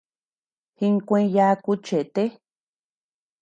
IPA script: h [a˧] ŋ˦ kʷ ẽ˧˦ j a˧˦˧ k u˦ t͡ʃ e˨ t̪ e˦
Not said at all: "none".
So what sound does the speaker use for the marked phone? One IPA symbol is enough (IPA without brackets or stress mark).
i˧